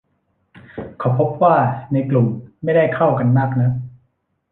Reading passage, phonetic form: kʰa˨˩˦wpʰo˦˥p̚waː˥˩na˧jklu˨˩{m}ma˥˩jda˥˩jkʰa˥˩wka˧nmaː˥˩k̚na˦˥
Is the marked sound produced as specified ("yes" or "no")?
yes